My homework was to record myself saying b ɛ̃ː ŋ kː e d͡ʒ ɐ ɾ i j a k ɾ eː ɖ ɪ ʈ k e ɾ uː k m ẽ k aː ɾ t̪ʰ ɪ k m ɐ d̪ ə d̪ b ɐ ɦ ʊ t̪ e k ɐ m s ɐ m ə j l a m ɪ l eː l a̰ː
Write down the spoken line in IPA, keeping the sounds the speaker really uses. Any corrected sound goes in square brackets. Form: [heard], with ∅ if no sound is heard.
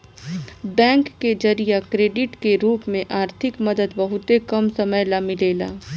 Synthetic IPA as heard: b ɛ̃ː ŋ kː e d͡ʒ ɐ ɾ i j a k ɾ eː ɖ ɪ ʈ k e ɾ uː [p] m ẽ [ʔ] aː ɾ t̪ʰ ɪ k m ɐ d̪ ə d̪ b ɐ ɦ ʊ t̪ e k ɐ m s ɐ m ə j l a m ɪ l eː l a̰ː